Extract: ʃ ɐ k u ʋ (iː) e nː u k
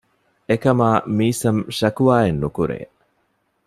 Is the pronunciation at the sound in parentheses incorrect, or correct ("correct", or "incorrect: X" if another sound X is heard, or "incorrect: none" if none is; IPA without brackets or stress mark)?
incorrect: aː